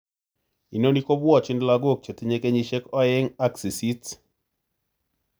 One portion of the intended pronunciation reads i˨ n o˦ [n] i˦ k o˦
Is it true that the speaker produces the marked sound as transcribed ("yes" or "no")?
yes